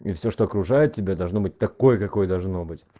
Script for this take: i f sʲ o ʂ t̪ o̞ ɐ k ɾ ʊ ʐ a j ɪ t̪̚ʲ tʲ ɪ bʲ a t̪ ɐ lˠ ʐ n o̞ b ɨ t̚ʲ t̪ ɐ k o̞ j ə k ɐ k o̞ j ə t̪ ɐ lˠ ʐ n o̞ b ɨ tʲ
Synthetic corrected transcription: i f sʲ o ʂ t̪ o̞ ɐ k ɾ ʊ ʐ a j ɪ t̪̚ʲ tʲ ɪ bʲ a d̪ ɐ lˠ ʐ n o̞ b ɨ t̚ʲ t̪ ɐ k o̞ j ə k ɐ k o̞ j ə d̪ ɐ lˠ ʐ n o̞ b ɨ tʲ